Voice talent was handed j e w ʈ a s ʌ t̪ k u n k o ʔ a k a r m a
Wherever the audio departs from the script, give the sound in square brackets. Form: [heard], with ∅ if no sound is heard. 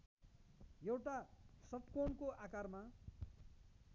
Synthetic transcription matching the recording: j e w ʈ a s ʌ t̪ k [o] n k o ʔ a k a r m a